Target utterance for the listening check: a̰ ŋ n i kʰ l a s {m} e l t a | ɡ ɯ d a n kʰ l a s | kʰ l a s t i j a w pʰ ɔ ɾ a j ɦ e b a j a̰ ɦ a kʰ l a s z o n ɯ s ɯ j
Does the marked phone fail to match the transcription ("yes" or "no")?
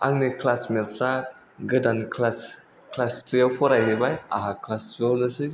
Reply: no